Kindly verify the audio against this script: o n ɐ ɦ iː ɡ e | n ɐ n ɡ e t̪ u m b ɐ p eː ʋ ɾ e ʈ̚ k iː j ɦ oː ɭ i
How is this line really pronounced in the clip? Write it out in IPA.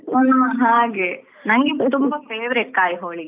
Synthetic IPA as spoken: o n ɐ ɦ aː ɡ e | n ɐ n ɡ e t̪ u m b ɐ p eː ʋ ɾ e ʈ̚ k aː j ɦ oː ɭ i